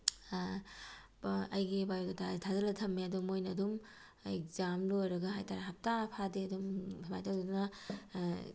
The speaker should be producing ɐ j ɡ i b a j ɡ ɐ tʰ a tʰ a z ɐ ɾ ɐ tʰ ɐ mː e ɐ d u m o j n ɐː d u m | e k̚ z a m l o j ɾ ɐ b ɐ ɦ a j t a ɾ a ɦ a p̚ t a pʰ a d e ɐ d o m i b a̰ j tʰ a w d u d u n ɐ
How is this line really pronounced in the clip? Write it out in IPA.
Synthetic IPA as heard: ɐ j ɡ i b a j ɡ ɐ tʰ a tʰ a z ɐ l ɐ tʰ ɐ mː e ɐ d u m o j n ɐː d u m | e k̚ z a m l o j ɾ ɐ ɡ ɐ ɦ a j t a ɾ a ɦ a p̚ t a pʰ a d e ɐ d u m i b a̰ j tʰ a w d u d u n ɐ